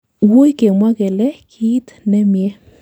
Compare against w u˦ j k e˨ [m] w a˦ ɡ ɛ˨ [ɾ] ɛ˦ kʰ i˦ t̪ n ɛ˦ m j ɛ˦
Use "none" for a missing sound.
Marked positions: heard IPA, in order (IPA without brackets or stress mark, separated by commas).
m, l